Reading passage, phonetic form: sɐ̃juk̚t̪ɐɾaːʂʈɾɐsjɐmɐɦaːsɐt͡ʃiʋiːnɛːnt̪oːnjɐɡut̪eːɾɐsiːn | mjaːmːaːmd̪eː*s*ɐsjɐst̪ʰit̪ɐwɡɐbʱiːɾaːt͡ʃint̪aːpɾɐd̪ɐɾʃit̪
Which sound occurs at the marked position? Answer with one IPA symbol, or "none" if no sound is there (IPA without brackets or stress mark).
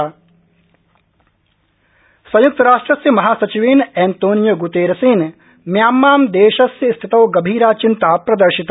ʃ